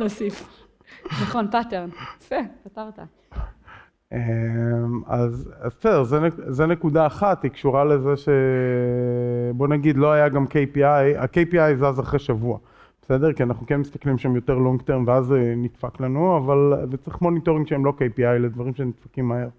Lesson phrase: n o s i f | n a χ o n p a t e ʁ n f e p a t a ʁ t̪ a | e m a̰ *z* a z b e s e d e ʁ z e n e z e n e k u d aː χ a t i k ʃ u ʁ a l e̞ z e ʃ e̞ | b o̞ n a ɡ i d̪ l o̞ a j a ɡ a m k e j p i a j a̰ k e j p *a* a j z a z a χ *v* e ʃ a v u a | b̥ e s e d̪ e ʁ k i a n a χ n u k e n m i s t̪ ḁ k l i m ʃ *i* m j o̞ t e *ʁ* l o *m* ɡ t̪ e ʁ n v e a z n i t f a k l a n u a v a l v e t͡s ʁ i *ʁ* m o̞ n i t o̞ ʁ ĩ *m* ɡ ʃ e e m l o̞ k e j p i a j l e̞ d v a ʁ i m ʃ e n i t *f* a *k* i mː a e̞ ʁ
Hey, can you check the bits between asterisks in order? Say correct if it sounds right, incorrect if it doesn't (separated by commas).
correct, incorrect, incorrect, incorrect, correct, incorrect, incorrect, incorrect, correct, correct